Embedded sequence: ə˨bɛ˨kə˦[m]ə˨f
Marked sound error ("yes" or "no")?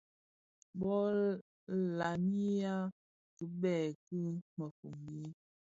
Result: no